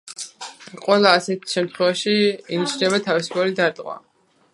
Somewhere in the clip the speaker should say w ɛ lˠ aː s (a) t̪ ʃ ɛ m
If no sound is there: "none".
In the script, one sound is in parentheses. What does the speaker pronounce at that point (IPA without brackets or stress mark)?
ɛ